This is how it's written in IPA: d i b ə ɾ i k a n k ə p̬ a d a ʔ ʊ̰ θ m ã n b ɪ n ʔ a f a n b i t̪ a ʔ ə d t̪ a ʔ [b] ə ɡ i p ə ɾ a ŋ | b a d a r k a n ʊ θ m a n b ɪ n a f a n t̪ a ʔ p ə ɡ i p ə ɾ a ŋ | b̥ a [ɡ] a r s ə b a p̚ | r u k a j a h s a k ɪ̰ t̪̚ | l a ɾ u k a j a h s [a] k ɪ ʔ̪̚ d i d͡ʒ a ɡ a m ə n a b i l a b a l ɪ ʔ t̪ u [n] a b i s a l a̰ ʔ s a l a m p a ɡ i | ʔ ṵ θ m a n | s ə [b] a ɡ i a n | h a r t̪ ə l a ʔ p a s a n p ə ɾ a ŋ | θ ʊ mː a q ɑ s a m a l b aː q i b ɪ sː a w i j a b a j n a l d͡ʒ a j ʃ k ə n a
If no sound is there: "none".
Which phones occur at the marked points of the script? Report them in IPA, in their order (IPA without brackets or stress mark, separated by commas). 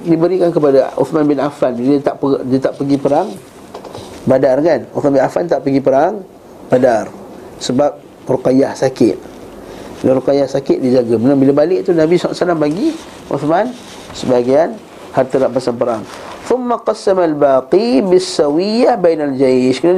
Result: p, d, a, n, b